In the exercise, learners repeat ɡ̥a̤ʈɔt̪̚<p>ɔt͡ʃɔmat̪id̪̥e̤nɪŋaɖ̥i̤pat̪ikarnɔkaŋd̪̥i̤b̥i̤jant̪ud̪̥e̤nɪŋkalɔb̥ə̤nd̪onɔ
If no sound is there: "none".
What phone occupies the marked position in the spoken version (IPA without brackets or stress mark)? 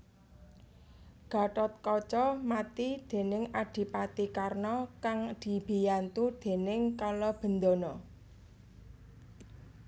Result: k